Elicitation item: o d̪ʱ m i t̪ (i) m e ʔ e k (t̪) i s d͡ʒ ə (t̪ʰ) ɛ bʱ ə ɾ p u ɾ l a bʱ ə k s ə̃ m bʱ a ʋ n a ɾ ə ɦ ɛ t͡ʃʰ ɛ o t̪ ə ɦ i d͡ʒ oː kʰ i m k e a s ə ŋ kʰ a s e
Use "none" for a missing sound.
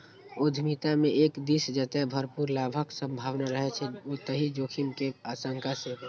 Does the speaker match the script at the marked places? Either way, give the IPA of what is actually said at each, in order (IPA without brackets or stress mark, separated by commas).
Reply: a, d̪, t̪